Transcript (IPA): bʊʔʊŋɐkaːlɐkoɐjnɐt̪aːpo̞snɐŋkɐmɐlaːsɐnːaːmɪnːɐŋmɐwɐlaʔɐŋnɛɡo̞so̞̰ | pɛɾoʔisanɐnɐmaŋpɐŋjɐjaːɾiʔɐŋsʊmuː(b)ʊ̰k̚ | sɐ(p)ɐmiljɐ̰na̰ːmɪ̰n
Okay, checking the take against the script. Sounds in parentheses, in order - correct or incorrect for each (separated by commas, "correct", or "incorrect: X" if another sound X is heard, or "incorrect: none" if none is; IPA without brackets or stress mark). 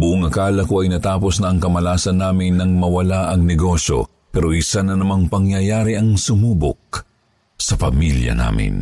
correct, correct